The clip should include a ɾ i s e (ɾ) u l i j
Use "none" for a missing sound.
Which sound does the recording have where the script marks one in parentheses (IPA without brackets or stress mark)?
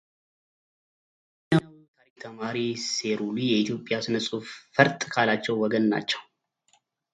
ɾ